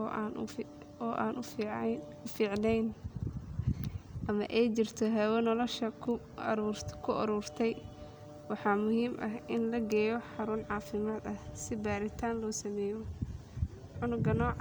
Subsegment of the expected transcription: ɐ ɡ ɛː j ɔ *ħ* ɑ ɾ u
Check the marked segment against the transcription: correct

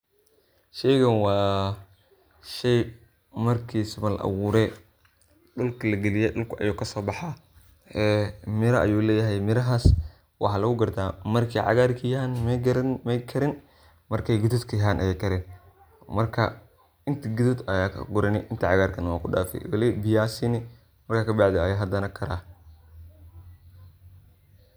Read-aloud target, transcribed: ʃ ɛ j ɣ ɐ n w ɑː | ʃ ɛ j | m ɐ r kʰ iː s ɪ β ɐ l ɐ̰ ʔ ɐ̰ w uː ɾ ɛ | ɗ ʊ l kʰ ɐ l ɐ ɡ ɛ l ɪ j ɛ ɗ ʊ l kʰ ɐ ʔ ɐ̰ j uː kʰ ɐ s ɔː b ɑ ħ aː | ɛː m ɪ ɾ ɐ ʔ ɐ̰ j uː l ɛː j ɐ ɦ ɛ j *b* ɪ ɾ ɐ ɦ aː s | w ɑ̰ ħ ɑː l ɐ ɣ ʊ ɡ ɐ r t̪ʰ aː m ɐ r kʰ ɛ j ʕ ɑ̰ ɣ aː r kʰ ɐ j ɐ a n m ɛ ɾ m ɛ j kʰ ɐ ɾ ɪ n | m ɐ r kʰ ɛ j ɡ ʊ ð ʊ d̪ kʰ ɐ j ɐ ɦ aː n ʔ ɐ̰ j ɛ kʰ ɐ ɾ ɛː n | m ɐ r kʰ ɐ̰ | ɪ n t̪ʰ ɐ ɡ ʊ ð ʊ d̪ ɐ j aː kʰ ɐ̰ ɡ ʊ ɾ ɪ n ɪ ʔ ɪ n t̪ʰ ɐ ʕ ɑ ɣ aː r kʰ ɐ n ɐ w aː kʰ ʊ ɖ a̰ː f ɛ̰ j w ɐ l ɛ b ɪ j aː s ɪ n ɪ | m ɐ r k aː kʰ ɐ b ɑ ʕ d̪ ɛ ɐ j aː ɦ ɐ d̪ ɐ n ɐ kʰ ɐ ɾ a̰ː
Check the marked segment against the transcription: incorrect: m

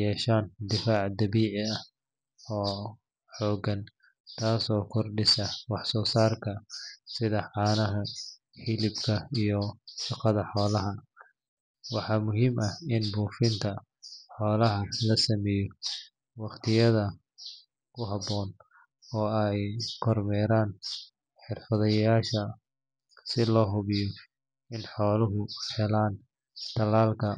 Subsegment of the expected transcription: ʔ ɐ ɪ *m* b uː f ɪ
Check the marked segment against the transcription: incorrect: n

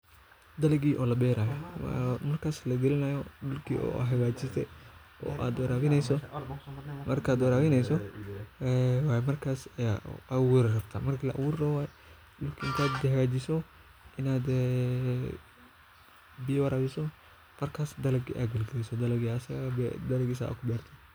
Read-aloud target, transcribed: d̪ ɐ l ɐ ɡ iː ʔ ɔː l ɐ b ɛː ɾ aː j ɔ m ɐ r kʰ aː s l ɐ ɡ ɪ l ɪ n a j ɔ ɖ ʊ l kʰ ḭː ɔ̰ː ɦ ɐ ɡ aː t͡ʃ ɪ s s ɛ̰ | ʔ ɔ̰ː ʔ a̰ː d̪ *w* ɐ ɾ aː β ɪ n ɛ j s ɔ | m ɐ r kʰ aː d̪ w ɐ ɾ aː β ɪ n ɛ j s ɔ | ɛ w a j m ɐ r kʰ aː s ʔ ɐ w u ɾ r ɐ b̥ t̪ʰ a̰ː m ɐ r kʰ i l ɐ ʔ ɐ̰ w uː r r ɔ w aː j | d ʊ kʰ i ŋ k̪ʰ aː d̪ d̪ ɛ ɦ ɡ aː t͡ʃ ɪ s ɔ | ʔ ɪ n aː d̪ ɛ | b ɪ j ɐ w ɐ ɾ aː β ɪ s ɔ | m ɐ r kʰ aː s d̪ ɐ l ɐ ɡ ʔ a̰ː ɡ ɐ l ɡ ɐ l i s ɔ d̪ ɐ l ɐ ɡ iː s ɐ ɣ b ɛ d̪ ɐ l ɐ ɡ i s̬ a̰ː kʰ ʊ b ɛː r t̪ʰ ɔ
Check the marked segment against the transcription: correct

